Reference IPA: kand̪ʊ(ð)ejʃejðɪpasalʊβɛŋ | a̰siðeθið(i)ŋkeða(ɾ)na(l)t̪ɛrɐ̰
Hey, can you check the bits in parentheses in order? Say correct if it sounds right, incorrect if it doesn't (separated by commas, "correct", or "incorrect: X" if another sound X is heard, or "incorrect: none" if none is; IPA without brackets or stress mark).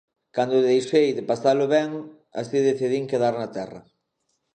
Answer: correct, correct, correct, incorrect: none